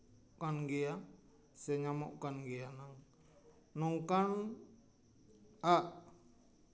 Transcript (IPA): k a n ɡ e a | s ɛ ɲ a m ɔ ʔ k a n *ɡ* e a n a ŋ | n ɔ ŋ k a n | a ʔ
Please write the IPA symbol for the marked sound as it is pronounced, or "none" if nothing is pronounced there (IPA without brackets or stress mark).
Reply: ɡ